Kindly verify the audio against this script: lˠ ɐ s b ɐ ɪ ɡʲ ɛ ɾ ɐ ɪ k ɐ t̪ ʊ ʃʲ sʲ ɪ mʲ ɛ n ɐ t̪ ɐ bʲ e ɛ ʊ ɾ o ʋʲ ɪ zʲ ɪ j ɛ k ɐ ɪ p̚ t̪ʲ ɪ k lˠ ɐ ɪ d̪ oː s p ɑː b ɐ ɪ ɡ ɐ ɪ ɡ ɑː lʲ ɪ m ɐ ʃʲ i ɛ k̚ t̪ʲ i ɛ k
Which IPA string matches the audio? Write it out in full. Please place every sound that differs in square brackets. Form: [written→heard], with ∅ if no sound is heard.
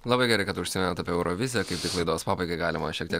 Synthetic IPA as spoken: lˠ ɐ [s→∅] b ɐ ɪ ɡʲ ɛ ɾ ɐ ɪ k ɐ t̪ ʊ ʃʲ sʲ ɪ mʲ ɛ n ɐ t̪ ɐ [bʲ→pʲ] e ɛ ʊ ɾ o ʋʲ ɪ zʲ ɪ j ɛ k ɐ ɪ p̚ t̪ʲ ɪ k lˠ ɐ ɪ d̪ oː s p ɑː b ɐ ɪ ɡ ɐ ɪ ɡ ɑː lʲ ɪ m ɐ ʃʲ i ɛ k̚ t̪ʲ i ɛ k